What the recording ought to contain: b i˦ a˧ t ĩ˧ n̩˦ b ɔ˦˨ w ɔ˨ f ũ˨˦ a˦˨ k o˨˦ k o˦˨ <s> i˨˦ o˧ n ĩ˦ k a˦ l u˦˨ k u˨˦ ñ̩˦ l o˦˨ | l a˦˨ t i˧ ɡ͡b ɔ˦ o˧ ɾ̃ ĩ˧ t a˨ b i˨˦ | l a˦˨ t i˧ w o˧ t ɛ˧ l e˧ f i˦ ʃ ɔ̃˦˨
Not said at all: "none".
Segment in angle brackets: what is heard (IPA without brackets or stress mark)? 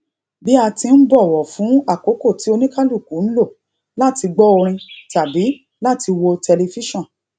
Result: t